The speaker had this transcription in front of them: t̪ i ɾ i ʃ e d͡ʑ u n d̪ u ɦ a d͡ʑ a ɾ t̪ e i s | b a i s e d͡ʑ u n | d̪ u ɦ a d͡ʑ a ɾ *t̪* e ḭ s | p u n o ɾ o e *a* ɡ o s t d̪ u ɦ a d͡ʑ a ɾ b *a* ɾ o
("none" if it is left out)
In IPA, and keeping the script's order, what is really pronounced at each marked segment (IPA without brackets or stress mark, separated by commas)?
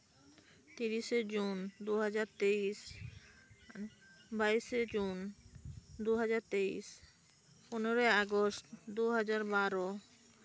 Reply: t̪, a, a